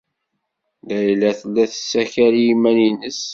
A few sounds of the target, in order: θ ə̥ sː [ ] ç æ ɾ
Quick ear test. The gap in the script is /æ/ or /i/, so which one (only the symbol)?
æ